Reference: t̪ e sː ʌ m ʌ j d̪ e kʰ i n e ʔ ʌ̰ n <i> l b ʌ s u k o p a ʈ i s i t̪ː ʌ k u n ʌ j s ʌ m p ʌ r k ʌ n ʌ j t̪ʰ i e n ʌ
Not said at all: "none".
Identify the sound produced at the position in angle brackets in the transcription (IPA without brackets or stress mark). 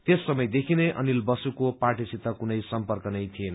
i